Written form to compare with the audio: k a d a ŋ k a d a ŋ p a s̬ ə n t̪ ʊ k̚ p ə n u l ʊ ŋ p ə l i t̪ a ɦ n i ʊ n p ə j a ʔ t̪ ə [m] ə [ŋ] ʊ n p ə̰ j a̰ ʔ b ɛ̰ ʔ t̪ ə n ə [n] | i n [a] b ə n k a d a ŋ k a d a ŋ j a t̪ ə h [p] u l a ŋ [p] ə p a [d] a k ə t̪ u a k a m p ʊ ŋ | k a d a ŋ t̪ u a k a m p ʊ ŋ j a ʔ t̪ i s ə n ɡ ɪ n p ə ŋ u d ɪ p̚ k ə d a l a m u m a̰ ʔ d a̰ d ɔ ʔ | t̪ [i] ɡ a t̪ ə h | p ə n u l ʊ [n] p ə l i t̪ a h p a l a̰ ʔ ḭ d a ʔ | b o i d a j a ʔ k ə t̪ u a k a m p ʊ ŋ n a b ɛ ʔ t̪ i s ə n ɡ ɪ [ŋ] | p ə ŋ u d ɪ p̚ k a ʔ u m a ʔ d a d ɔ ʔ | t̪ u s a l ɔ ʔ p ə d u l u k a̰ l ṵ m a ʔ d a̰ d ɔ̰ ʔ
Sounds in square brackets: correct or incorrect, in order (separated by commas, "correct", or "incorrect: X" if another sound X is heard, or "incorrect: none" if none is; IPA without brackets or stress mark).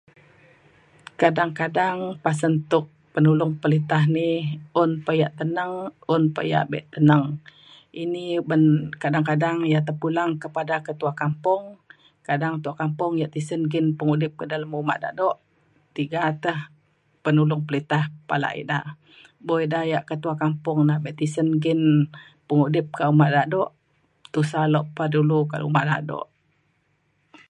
incorrect: n, correct, incorrect: ŋ, incorrect: i, correct, incorrect: k, correct, correct, incorrect: ŋ, incorrect: n